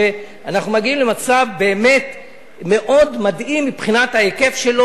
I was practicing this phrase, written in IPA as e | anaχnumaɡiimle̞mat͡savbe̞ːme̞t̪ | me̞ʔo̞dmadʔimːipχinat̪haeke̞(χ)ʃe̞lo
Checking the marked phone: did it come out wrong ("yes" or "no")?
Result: yes